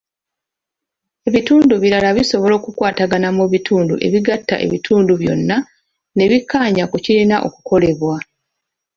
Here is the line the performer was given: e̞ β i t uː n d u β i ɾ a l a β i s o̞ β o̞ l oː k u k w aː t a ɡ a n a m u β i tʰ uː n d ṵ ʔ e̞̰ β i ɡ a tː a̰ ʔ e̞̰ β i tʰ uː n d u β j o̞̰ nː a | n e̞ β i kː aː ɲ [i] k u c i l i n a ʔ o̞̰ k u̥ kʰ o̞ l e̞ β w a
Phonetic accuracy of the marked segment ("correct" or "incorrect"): incorrect